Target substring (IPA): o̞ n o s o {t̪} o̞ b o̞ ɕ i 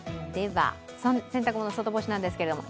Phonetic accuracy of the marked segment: correct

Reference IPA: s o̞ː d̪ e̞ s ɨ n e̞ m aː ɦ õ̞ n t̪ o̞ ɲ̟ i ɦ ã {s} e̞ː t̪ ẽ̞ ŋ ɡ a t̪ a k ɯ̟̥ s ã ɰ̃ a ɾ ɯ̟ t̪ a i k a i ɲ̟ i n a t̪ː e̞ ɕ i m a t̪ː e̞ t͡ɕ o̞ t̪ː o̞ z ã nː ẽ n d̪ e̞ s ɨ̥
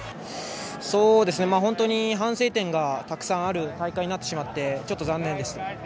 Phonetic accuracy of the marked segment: correct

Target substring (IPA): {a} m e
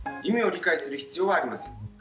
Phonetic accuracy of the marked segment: incorrect: i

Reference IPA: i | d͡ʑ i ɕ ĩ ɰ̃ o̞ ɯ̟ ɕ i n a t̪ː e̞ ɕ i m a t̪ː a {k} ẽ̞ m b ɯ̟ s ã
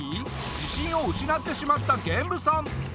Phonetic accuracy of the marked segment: incorrect: ɡ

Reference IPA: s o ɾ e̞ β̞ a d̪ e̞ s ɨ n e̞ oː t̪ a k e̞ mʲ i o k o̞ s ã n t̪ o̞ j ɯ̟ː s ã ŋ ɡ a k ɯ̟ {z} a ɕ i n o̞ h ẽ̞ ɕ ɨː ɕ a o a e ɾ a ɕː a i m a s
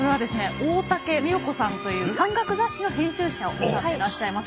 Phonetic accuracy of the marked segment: correct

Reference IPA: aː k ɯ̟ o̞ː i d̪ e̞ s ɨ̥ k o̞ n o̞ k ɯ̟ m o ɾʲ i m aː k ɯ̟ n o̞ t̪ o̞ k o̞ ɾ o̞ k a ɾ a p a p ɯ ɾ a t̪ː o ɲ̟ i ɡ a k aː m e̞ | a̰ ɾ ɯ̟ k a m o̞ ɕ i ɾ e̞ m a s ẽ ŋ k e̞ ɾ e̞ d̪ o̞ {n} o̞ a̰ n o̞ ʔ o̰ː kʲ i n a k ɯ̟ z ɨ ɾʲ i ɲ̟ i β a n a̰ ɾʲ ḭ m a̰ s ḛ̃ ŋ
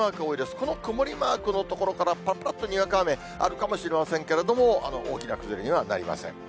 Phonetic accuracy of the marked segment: incorrect: m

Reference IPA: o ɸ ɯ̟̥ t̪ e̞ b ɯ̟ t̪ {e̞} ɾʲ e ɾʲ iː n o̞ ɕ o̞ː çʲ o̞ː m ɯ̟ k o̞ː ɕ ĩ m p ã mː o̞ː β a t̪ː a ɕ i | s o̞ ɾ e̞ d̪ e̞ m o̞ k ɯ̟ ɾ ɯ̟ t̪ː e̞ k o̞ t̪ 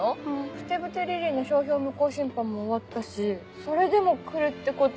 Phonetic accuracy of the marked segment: correct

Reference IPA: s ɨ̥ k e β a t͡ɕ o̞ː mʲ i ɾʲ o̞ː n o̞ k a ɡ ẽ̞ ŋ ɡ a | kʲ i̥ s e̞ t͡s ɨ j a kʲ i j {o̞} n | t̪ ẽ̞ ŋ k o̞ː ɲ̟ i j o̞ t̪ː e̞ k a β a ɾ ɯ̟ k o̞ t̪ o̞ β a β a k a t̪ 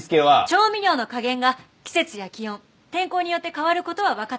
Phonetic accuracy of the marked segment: incorrect: õ̞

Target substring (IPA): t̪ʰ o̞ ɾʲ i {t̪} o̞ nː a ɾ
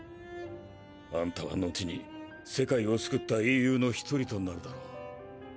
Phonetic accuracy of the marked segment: correct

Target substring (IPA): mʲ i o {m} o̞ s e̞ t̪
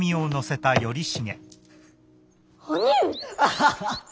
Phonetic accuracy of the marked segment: incorrect: n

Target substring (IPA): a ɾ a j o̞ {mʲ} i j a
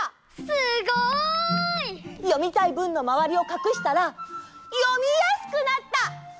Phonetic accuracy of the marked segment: correct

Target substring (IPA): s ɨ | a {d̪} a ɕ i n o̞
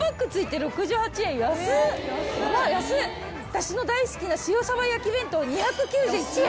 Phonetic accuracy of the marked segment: incorrect: t̪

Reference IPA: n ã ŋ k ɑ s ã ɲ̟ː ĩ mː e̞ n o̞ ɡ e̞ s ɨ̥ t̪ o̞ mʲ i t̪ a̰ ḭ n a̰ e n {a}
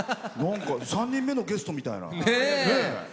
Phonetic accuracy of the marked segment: incorrect: e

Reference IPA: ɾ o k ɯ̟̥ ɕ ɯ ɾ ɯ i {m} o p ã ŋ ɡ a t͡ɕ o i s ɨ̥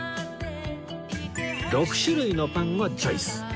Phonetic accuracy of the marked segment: incorrect: n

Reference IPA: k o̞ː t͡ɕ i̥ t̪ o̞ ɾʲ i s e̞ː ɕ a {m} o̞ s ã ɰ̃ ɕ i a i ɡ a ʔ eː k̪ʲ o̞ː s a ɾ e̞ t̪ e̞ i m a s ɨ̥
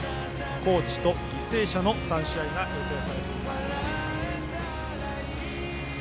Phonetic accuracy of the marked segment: incorrect: n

